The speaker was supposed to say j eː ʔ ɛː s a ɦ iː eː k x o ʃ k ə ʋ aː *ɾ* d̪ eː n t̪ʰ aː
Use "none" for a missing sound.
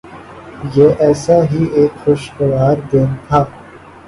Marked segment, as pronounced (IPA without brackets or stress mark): ɾ